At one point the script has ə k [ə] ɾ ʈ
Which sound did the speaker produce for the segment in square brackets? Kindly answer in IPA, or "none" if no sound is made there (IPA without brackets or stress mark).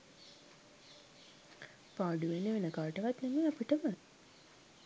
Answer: a